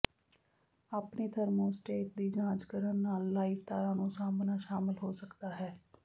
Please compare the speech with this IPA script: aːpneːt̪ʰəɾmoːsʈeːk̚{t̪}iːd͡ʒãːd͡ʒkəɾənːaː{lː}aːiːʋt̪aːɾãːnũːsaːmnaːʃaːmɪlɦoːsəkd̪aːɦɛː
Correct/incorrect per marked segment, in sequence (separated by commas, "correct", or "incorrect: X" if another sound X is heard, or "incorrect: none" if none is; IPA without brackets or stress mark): incorrect: d̪, correct